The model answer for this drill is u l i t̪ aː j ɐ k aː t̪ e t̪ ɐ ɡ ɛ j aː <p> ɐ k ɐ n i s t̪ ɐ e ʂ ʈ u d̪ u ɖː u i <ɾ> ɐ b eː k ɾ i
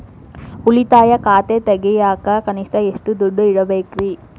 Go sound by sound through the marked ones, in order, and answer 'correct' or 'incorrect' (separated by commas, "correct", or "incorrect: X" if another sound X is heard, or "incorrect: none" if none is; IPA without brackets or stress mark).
incorrect: k, incorrect: ɽ